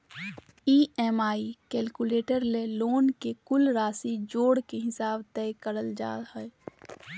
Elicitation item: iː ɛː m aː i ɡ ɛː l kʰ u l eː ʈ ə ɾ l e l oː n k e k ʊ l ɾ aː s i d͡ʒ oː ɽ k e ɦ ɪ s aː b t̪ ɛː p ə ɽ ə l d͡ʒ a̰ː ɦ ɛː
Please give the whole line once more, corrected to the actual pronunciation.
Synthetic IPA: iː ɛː m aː i k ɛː l k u l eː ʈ ə ɾ l e l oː n k e k ʊ l ɾ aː s i d͡ʒ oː ɽ k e ɦ ɪ s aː b t̪ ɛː k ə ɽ ə l d͡ʒ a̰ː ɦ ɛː

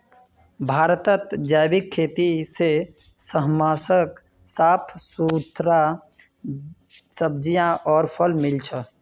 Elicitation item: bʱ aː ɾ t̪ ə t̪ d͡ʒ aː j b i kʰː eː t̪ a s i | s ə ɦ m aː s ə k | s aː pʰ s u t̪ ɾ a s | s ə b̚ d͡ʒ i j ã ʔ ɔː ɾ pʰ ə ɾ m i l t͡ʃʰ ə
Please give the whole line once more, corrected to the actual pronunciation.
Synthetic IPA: bʱ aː ɾ t̪ ə t̪ d͡ʒ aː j b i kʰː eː t̪ i s e | s ə ɦ m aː s ə k | s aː pʰ s u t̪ ɾ a | s ə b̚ d͡ʒ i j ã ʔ ɔː ɾ pʰ ə l m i l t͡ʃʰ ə

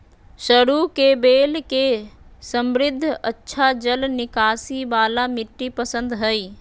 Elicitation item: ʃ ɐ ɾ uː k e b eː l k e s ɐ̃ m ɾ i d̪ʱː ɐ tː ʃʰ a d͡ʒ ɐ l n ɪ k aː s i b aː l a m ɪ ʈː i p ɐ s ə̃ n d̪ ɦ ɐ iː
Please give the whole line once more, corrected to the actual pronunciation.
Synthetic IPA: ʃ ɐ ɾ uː k e b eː l k e s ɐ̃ m ɾ ɪ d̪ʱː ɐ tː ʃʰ a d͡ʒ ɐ l n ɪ k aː s i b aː l a m ɪ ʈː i p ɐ s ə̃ n d̪ ɦ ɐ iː

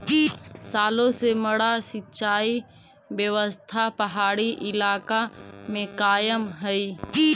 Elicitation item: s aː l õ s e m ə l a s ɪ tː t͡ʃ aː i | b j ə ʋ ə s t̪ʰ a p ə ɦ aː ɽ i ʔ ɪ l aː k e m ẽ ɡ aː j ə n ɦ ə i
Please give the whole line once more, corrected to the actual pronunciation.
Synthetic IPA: s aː l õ s e m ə ɽ a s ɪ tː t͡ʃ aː i | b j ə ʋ ə s t̪ʰ a p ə ɦ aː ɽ i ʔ ɪ l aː k a m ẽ k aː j ə m ɦ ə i

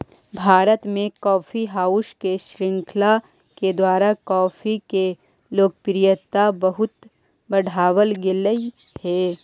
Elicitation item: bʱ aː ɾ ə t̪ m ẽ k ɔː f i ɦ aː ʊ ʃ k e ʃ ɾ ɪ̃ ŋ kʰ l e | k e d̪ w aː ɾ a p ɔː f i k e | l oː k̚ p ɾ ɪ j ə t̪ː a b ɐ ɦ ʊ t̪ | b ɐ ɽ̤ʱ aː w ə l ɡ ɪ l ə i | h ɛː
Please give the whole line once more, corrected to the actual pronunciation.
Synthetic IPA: bʱ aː ɾ ə t̪ m ẽ k ɔː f i ɦ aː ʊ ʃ k e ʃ ɾ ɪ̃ ŋ kʰ l a | k e d̪ w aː ɾ a k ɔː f i k e | l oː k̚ p ɾ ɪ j ə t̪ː a b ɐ ɦ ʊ t̪ | b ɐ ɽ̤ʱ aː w ə l ɡ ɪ l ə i | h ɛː

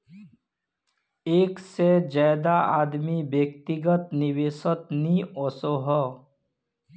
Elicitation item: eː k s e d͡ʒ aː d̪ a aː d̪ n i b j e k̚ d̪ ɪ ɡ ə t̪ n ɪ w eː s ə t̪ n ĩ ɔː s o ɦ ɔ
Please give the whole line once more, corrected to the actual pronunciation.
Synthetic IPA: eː k s e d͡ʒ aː d̪ a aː d̪ m i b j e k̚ t̪ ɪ ɡ ə t̪ n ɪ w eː s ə t̪ n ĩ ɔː s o ɦ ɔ

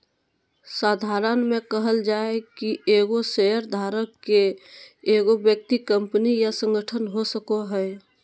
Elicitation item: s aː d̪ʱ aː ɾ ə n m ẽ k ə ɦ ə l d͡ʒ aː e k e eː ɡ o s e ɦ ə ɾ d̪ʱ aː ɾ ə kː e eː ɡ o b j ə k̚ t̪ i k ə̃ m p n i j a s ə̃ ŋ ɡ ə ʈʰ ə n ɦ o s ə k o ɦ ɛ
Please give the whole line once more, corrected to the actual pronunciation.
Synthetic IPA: s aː d̪ʱ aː ɾ ə n m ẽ k ə ɦ ə l d͡ʒ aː e k i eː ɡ o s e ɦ ə ɾ d̪ʱ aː ɾ ə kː e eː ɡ o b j ə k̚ t̪ i k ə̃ m p n i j a s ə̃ ŋ ɡ ə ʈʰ ə n ɦ o s ə k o ɦ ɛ

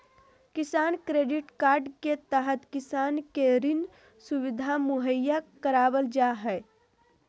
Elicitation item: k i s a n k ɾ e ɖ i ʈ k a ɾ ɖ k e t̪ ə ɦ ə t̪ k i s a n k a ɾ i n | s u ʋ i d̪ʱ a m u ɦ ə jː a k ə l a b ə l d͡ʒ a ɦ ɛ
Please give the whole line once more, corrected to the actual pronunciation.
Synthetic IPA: k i s a n k ɾ e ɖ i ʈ k a ɾ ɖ k e t̪ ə ɦ ə t̪ k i s a n k e ɾ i n | s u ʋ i d̪ʱ a m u ɦ ə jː a k ə ɾ a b ə l d͡ʒ a ɦ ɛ

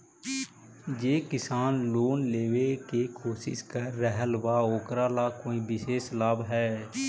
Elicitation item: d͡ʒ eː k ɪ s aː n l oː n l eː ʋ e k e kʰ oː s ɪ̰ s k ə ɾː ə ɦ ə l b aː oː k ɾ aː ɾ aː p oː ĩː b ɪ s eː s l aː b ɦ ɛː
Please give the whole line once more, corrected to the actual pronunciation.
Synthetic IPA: d͡ʒ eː k ɪ s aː n l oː n l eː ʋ e k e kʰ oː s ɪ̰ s k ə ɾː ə ɦ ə l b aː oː k ɾ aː l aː k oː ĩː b ɪ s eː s l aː b ɦ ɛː

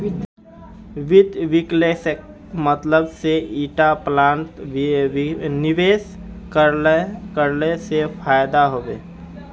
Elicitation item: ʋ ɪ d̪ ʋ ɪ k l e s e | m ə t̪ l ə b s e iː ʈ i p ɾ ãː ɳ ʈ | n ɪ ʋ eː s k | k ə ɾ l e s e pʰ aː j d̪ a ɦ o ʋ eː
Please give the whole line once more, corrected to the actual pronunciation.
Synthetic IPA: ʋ ɪ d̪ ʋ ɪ k l e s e | m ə t̪ l ə b s e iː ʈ a p l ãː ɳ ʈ | n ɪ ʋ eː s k | k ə ɾ l e s e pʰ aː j d̪ a ɦ o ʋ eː

